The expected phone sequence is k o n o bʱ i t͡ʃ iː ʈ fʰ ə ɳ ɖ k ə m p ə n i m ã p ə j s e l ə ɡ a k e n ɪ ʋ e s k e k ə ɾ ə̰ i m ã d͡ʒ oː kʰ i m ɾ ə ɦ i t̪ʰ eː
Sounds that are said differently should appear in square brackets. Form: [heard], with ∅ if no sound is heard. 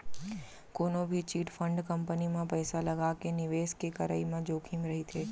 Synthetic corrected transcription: k o n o bʱ i t͡ʃ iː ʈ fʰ ə ɳ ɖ k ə m p ə n i m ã p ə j s [a] l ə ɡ a k e n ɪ ʋ e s k e k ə ɾ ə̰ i m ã d͡ʒ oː kʰ i m ɾ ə ɦ i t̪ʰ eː